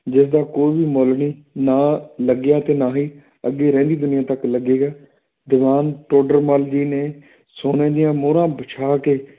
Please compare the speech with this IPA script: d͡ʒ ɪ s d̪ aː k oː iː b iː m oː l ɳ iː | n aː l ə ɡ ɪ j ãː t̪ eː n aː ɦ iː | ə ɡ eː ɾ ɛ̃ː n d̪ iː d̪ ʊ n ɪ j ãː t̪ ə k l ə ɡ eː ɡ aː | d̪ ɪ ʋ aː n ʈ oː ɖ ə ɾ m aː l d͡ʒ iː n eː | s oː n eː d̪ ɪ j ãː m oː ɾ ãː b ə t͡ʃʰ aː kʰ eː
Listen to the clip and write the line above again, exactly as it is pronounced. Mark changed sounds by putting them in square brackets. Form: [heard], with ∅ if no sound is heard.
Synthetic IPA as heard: d͡ʒ ɪ s d̪ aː k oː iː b iː m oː l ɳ iː | n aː l ə ɡ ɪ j [aː] t̪ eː n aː ɦ iː | ə ɡ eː ɾ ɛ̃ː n d̪ iː d̪ ʊ n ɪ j ãː t̪ ə k l ə ɡ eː ɡ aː | d̪ ɪ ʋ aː n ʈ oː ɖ ə ɾ m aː l d͡ʒ iː n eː | s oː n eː d̪ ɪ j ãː m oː ɾ ãː b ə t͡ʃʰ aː [k] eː